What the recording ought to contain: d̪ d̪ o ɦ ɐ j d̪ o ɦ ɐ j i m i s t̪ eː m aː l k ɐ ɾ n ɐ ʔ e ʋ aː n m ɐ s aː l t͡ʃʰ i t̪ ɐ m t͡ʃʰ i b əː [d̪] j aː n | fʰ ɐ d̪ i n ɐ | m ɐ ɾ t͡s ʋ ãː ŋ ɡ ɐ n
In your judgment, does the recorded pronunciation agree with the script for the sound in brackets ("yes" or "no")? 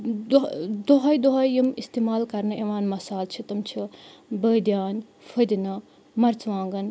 yes